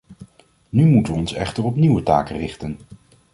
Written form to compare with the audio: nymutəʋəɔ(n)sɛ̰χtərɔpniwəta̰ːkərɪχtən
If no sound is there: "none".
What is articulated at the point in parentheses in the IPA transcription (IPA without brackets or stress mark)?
n